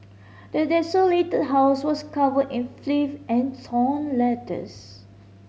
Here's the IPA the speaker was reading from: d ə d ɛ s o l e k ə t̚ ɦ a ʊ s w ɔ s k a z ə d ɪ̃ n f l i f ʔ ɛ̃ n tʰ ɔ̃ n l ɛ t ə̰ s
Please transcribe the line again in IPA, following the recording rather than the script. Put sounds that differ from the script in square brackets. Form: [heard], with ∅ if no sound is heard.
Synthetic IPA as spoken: d ə d ɛ s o l e [t] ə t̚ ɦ a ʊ s w ɔ s k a [v] ə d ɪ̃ n f l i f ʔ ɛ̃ n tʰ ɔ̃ n l ɛ t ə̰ s